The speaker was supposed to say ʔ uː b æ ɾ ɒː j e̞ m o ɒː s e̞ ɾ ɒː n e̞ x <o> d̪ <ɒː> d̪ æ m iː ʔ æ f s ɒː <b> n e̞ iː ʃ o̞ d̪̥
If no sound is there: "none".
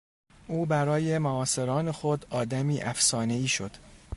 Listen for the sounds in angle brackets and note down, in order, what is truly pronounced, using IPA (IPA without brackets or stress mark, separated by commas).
o, ɒː, none